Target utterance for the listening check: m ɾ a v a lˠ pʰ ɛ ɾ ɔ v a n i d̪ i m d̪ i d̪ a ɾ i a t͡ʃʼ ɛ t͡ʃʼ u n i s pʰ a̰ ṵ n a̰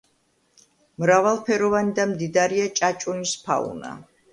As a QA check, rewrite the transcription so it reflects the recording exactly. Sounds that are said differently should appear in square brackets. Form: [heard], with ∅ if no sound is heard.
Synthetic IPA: m ɾ a v a lˠ pʰ ɛ ɾ ɔ v a n i d̪ [a] m d̪ i d̪ a ɾ i a t͡ʃʼ [a] t͡ʃʼ u n i s pʰ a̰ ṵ n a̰